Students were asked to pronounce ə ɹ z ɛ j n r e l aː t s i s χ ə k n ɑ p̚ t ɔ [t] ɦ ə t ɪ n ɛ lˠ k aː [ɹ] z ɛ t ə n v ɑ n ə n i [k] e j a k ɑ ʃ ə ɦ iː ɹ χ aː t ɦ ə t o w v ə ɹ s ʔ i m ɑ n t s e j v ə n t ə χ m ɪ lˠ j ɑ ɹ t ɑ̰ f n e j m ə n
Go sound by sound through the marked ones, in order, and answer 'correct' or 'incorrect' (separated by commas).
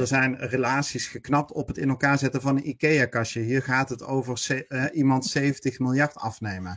incorrect, correct, correct